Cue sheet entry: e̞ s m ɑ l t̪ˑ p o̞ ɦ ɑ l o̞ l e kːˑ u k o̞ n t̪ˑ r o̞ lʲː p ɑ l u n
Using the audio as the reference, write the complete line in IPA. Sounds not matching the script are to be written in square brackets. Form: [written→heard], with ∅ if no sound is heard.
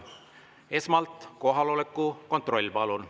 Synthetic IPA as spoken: e̞ s m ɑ l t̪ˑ [p→k] o̞ ɦ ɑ l o̞ l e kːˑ u k o̞ n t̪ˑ r o̞ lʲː p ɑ l u n